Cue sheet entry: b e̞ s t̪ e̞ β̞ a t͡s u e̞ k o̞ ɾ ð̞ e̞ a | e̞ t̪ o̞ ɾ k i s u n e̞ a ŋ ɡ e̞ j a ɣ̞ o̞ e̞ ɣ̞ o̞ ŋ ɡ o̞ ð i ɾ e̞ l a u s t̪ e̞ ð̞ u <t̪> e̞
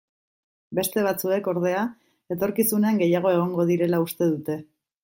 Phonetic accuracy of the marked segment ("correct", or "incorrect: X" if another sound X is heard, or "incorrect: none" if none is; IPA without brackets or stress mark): correct